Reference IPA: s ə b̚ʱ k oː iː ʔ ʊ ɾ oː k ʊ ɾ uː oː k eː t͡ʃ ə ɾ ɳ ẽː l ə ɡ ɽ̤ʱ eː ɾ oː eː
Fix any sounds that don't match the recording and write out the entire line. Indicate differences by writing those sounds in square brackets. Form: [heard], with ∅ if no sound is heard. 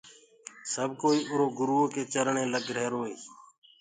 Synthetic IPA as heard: s ə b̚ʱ k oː iː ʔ ʊ ɾ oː [ɡ] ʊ ɾ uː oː k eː t͡ʃ ə ɾ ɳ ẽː l ə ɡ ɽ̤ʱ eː ɾ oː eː